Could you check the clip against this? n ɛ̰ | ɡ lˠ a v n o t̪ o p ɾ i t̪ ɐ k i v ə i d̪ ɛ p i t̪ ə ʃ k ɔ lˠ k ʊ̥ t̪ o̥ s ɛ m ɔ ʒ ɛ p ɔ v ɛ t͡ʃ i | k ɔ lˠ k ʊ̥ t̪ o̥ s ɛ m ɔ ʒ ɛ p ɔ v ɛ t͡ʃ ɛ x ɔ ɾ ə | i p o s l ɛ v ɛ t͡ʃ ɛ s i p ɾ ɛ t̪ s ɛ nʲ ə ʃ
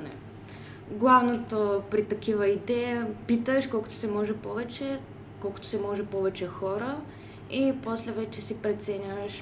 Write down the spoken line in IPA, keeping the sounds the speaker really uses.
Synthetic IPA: n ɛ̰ | ɡ lˠ a v n o t̪ o p ɾ i t̪ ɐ k i v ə i d̪ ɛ p i t̪ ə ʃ k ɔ lˠ k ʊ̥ t̪ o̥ s ɛ m ɔ ʒ ɛ p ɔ v ɛ t͡ʃ ɛ | k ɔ lˠ k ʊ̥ t̪ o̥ s ɛ m ɔ ʒ ɛ p ɔ v ɛ t͡ʃ ɛ x ɔ ɾ ə | i p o s l ɛ v ɛ t͡ʃ ɛ s i p ɾ ɛ t̪ s ɛ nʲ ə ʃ